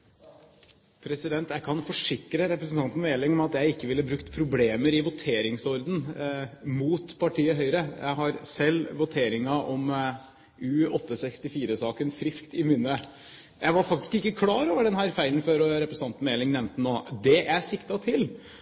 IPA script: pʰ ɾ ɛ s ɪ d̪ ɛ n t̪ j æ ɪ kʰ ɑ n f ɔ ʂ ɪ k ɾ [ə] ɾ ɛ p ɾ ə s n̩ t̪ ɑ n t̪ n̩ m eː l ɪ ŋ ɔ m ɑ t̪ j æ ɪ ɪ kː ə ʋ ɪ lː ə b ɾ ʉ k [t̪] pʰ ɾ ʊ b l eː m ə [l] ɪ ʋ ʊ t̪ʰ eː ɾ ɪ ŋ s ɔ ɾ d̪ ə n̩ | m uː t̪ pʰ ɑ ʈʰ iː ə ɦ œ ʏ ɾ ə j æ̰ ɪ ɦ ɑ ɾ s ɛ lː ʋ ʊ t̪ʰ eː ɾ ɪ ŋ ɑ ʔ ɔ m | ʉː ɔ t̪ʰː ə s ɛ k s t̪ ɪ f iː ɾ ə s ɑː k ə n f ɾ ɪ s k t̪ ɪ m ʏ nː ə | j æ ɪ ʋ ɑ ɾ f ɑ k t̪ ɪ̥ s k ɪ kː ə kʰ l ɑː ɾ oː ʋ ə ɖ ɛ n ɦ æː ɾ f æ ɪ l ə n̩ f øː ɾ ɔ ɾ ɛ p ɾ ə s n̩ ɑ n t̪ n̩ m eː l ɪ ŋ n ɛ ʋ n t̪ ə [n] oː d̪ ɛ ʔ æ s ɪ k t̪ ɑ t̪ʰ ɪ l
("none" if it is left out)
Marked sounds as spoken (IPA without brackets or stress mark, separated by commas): ə, t̪, ɾ, n